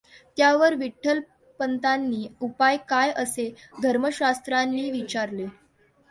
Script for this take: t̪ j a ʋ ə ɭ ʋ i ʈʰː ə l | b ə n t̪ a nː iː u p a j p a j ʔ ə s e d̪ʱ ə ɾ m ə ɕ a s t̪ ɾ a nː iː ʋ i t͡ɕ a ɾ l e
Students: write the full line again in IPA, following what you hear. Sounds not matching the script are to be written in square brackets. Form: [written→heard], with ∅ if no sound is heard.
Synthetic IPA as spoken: t̪ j a ʋ ə [ɭ→ɾ] ʋ i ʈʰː ə l | [b→p] ə n t̪ a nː iː u p a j [p→k] a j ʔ ə s e d̪ʱ ə ɾ m ə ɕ a s t̪ ɾ a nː iː ʋ i t͡ɕ a ɾ l e

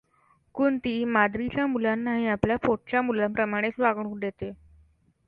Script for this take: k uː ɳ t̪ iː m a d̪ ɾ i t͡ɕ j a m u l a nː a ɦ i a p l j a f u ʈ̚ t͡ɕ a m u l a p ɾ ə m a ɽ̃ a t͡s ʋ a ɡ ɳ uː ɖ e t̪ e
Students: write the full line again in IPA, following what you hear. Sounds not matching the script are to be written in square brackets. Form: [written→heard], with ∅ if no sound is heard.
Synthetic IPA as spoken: k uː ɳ t̪ iː m a d̪ ɾ i t͡ɕ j a m u l a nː a ɦ i a p l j a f [u→o] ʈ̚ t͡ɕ a m u l a p ɾ ə m a ɽ̃ [a→e] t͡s ʋ a ɡ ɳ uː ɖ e t̪ e

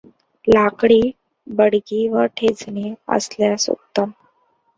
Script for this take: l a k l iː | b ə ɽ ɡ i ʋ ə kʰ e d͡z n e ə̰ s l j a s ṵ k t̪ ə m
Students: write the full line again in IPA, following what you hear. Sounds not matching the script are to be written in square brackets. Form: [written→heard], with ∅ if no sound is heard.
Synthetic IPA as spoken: l a k [l→ɽ] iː | b ə ɽ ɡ i ʋ ə [kʰ→ʈʰ] e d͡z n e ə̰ s l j a s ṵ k t̪ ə m

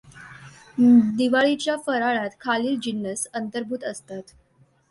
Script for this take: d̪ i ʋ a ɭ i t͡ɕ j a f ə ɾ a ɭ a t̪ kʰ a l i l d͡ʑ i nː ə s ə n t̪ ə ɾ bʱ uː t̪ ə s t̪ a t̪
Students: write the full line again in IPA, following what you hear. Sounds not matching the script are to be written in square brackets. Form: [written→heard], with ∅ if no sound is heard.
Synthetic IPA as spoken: d̪ i ʋ a ɭ i t͡ɕ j a f ə ɾ a ɭ a t̪ kʰ a l [i→iː] l d͡ʑ i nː ə s ə n t̪ ə ɾ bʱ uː t̪ ə s t̪ a t̪

